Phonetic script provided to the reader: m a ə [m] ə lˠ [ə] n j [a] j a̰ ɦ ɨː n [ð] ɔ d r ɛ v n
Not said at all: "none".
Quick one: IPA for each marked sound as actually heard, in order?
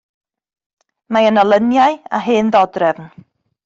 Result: n, ə, a, ð

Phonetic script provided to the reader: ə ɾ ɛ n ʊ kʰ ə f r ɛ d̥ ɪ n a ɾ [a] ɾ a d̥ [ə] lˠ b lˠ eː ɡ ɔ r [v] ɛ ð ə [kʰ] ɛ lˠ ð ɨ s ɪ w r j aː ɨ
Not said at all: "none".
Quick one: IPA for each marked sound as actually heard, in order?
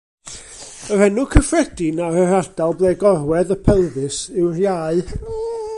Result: ə, a, w, pʰ

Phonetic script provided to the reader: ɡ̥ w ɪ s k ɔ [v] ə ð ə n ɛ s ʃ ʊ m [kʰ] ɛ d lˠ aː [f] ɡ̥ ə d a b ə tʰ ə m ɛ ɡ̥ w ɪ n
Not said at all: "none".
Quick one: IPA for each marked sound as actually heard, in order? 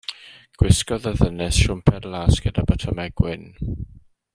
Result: ð, pʰ, s

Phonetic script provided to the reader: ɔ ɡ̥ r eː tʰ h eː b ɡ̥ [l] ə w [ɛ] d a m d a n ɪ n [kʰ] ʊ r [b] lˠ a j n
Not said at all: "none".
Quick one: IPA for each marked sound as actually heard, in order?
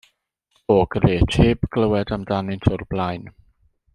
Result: l, ɛ, tʰ, b

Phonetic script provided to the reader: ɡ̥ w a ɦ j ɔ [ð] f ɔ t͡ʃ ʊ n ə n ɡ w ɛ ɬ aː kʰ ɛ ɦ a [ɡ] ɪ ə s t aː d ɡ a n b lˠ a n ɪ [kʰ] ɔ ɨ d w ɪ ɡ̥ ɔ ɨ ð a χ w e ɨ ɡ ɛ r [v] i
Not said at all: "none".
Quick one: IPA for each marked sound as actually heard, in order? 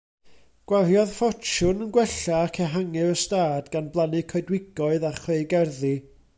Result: ð, ŋ, kʰ, ð

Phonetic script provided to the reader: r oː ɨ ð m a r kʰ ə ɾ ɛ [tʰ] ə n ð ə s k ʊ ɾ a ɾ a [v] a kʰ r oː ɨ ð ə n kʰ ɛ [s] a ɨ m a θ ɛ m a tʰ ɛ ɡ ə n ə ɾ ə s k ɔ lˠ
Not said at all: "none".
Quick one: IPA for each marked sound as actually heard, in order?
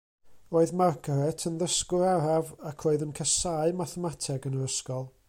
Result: tʰ, v, s

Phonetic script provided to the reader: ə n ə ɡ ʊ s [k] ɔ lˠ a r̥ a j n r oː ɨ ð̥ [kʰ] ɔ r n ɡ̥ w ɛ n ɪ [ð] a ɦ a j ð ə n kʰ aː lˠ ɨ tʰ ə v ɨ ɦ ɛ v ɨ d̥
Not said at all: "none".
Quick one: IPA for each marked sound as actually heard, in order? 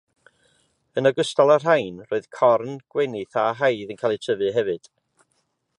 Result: t, kʰ, θ

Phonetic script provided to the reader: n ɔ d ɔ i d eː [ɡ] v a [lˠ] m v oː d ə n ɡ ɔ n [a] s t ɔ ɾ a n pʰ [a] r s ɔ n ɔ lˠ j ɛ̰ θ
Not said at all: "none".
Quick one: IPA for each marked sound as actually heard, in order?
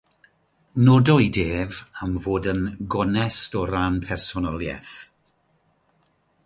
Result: none, none, ɛ, ɛ

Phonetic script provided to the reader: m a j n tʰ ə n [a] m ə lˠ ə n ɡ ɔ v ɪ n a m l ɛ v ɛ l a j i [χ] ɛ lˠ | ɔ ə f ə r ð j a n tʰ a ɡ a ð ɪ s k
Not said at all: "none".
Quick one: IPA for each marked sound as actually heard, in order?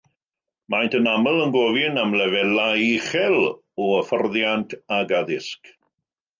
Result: a, χ

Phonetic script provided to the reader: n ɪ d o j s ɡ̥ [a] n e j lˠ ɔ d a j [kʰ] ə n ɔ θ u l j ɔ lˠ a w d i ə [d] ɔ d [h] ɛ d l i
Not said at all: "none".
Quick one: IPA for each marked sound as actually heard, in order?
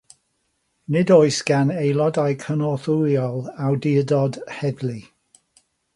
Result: a, kʰ, d, h

